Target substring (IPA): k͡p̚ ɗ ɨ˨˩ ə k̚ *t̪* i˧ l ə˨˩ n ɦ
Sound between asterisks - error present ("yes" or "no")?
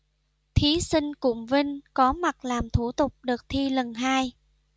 yes